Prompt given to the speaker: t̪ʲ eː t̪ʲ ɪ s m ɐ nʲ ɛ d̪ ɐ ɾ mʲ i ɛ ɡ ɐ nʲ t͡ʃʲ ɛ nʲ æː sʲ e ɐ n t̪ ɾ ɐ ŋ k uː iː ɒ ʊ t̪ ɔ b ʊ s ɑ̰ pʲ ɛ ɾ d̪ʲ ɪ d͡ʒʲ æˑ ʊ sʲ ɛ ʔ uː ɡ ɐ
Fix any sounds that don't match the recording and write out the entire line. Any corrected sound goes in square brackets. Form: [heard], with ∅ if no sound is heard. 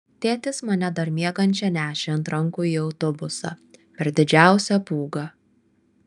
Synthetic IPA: t̪ʲ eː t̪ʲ ɪ s m ɐ nʲ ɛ d̪ ɐ ɾ mʲ i ɛ ɡ ɐ nʲ t͡ʃʲ ɛ nʲ æː [ʃʲ] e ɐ n t̪ ɾ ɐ ŋ k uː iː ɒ ʊ t̪ ɔ b ʊ s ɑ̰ pʲ ɛ ɾ d̪ʲ ɪ d͡ʒʲ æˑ ʊ sʲ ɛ [p] uː ɡ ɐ